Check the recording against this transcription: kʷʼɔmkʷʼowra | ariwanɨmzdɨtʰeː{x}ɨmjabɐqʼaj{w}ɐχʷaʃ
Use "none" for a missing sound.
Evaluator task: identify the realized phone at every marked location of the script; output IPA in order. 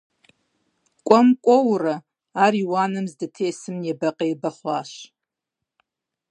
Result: s, b

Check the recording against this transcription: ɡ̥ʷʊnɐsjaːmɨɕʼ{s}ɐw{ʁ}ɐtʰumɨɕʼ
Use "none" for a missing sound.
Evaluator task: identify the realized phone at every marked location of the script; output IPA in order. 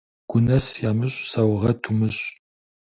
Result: s, ʁ

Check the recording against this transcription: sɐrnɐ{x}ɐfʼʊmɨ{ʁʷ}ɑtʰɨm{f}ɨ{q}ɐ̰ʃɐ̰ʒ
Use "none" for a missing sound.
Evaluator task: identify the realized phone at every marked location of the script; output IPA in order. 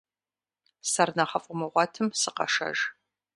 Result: χ, ʁʷ, s, q

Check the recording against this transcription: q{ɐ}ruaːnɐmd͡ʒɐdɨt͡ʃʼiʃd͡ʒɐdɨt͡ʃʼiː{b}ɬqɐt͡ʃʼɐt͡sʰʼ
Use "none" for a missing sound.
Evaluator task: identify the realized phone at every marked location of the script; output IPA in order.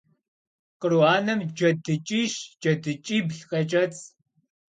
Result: ə, b

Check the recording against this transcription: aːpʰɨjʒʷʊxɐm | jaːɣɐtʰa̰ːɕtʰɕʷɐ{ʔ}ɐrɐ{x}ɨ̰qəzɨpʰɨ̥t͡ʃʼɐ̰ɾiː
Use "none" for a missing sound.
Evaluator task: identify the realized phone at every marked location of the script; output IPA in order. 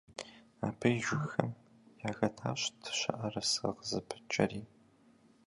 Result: ʔ, s

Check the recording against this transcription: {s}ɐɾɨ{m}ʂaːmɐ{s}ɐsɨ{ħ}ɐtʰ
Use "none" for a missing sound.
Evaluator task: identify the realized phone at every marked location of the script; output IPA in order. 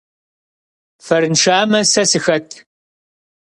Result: f, n, s, x

